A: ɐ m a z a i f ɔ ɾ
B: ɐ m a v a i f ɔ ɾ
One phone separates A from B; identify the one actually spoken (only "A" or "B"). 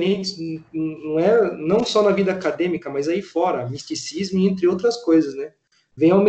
A